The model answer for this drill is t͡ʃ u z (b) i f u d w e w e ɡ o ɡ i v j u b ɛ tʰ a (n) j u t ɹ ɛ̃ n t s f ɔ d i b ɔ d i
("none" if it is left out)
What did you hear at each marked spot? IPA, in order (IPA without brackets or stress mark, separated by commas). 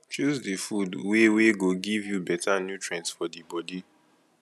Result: d, n